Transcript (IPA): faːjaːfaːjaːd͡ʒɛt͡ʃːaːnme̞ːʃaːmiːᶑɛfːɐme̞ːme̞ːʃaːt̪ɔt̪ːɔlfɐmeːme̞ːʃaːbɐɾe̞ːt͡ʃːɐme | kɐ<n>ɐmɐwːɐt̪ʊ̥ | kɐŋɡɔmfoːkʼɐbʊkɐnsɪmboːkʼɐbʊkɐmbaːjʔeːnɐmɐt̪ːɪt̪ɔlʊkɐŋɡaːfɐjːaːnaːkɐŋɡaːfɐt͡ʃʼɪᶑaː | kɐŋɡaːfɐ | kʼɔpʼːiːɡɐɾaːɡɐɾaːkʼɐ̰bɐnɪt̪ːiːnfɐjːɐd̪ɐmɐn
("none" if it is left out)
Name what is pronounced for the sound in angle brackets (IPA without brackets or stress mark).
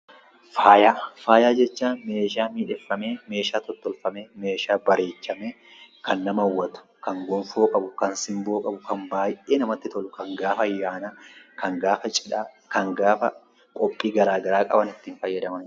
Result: nː